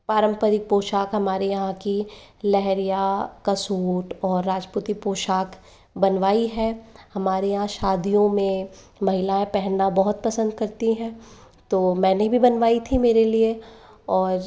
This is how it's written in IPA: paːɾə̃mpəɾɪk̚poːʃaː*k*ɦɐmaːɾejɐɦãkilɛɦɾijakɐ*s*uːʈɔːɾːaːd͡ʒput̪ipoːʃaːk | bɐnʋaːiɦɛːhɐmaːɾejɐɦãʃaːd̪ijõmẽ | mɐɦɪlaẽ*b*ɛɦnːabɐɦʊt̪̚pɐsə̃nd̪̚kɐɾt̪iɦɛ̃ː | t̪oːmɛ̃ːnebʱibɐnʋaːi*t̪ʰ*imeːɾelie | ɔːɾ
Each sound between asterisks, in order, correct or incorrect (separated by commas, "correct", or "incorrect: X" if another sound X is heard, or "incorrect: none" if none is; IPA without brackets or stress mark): correct, correct, incorrect: p, correct